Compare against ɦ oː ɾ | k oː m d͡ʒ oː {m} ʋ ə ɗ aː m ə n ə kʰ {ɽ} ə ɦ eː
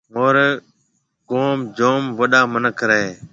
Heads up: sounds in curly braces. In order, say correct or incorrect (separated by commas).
correct, incorrect